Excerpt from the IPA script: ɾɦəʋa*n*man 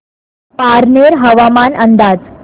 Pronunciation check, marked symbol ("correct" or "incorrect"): incorrect